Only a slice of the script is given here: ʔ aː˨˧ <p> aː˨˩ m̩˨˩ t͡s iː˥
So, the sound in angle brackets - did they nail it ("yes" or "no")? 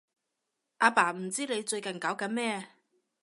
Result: yes